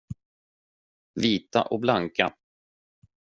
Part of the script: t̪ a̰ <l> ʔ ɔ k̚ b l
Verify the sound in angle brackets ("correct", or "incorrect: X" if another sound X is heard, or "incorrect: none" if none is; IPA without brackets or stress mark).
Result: incorrect: none